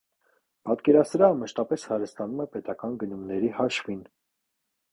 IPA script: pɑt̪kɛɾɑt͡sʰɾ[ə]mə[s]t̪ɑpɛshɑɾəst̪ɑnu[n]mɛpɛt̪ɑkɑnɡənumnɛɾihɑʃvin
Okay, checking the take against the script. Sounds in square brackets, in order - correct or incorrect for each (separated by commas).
incorrect, incorrect, incorrect